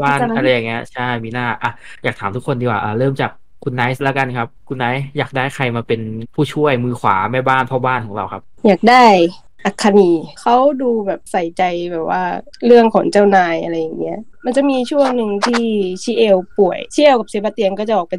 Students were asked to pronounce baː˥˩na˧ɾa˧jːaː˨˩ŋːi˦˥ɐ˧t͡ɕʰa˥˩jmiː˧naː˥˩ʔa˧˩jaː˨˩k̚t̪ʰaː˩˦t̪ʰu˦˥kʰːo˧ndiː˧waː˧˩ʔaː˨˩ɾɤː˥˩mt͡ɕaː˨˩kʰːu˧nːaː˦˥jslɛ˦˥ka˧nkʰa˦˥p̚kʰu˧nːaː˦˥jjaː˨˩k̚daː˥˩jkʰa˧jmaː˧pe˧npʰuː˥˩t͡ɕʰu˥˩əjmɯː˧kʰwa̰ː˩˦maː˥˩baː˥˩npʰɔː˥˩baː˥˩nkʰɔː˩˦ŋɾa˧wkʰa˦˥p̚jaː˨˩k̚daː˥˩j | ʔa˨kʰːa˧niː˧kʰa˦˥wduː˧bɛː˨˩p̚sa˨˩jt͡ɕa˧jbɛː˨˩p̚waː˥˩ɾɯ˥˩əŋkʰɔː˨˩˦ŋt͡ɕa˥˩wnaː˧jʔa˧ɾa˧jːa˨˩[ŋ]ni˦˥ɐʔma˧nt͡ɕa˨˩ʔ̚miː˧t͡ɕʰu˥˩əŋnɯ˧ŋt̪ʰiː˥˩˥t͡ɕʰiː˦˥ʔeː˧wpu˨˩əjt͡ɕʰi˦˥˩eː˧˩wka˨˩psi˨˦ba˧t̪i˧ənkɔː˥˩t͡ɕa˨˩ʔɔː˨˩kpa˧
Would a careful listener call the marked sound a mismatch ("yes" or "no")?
no